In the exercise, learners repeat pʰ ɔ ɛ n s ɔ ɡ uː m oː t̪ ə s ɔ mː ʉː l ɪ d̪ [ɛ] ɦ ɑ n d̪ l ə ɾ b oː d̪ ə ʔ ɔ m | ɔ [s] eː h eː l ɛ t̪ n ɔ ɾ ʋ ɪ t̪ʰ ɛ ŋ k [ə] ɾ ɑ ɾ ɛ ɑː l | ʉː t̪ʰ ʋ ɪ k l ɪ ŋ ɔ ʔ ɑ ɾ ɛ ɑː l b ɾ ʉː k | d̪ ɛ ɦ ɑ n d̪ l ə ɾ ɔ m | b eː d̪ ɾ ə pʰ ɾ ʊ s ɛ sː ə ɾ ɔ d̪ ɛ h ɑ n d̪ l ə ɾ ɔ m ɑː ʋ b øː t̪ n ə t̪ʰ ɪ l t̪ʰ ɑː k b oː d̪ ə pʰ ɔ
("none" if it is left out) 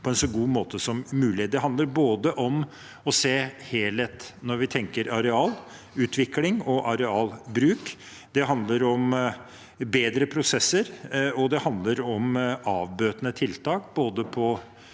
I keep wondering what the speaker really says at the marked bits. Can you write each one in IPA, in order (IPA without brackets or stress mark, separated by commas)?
ɛ, s, ə